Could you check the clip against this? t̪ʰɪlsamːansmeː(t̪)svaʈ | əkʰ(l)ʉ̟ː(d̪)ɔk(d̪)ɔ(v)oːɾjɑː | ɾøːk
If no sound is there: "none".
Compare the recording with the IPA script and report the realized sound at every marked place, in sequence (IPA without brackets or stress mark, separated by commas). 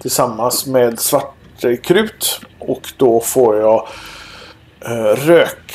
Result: d̪, ɾ, t̪, d̪, f